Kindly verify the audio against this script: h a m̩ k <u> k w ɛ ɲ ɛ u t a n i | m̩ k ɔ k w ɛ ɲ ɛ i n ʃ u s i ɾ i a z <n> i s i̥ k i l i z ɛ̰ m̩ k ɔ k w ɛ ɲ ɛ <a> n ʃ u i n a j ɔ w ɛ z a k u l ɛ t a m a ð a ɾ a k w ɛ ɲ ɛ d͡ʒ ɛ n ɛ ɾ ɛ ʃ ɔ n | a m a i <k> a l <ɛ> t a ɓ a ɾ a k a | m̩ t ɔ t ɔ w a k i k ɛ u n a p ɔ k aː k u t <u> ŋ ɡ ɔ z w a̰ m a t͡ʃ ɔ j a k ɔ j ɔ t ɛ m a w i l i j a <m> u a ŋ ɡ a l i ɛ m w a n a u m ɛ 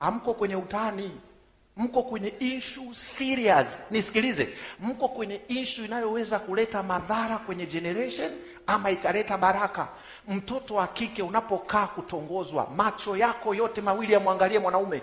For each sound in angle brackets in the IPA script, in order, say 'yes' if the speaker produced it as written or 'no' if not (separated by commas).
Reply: no, yes, no, yes, yes, no, yes